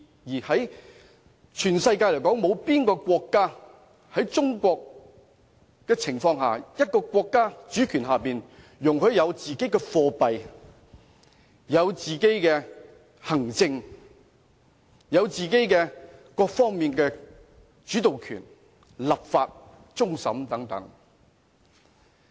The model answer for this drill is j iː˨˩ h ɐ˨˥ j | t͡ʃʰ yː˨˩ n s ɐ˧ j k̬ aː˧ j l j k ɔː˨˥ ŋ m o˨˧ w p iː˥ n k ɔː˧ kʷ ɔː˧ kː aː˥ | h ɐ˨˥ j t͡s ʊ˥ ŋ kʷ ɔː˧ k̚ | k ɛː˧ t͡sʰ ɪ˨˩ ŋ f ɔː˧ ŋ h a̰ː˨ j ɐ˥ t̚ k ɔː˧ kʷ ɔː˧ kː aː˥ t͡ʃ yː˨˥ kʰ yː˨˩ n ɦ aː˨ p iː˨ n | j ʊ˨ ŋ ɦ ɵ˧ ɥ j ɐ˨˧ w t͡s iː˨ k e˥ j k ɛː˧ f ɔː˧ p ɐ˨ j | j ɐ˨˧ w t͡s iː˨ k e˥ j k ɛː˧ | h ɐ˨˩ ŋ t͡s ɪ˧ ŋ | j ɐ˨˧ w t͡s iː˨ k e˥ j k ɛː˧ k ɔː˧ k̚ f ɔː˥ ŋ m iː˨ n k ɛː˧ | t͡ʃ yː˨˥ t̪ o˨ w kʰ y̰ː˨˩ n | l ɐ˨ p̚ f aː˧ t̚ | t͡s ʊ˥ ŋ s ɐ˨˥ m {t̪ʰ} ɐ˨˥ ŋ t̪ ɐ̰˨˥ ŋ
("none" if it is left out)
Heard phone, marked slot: t̪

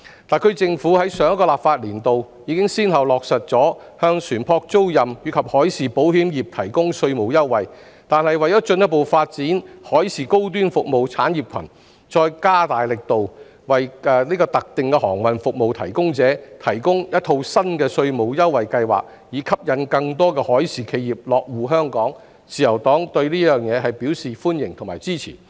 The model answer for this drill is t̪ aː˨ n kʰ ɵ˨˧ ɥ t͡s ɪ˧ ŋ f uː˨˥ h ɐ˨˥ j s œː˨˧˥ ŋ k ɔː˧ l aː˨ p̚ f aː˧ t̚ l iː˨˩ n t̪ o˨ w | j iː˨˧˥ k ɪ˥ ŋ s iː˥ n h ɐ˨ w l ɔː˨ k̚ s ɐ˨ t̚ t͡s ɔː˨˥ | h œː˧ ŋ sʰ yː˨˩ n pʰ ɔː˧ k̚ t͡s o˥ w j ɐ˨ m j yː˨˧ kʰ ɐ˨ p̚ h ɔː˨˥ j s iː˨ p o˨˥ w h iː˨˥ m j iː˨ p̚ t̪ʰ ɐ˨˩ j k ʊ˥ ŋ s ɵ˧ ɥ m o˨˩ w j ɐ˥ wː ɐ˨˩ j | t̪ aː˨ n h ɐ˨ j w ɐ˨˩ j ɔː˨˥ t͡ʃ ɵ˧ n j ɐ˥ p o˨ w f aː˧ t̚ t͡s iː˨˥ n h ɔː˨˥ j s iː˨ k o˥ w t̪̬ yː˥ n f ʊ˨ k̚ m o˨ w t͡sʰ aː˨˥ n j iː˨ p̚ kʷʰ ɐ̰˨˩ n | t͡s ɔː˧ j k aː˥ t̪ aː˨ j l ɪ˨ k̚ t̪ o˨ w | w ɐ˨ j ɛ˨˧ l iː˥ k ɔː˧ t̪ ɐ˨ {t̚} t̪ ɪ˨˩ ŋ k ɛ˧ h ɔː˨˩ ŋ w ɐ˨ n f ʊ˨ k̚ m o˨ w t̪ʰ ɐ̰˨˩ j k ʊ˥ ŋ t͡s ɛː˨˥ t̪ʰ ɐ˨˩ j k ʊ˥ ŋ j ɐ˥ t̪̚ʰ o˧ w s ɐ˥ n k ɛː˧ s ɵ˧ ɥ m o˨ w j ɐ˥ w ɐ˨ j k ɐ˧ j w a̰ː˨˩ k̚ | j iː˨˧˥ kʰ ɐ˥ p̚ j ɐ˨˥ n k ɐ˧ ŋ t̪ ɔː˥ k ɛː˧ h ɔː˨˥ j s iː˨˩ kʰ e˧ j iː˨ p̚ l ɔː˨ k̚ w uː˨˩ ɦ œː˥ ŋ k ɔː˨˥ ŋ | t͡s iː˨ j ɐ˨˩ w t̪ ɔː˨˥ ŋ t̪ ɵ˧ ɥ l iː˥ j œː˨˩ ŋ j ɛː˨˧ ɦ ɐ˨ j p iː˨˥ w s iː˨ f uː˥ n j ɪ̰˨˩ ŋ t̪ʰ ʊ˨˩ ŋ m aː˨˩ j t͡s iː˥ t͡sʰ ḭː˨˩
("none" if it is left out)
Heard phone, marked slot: k̚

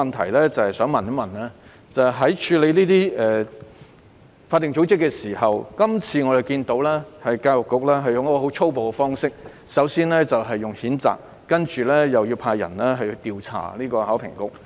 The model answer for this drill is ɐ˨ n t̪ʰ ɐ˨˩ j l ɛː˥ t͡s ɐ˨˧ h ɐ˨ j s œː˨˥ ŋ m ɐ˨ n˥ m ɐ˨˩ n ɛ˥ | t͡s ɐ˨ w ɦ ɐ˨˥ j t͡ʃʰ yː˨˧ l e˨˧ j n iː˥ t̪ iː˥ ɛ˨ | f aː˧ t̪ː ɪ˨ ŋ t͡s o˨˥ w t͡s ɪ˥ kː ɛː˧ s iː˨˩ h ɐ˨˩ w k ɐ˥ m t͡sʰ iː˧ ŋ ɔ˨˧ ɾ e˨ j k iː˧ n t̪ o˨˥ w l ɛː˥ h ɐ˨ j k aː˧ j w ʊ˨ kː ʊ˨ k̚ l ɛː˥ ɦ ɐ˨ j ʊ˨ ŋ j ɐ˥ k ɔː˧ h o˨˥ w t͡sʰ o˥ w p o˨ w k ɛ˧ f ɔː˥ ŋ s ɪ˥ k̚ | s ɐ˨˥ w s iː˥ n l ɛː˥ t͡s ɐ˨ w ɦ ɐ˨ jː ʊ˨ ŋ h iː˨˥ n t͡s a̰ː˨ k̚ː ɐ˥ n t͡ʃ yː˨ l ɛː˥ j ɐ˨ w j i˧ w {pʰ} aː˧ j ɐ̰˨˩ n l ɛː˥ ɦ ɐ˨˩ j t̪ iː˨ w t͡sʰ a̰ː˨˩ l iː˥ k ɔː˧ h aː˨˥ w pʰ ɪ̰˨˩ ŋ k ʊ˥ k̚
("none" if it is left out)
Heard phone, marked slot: pʰ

